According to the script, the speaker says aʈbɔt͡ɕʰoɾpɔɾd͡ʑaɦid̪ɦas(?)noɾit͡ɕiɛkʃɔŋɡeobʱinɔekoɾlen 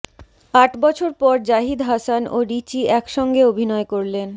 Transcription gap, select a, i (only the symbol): a